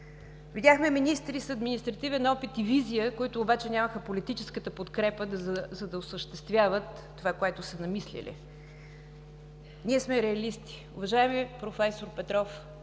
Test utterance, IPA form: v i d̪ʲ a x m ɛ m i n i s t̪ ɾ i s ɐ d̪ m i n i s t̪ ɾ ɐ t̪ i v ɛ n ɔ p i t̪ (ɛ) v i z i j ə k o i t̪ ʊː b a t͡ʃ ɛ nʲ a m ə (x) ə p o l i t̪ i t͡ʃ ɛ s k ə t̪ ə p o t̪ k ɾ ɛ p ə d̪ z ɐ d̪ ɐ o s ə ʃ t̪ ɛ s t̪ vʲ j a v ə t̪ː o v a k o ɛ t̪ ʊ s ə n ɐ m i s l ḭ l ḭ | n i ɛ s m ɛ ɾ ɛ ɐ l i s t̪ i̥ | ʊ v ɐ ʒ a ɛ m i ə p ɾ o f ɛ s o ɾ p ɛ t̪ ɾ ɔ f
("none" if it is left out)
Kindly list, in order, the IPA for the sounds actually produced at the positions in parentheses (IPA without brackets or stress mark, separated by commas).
i, x